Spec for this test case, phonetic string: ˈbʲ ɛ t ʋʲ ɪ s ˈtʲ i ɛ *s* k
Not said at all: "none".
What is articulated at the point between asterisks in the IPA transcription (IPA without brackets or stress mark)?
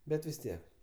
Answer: none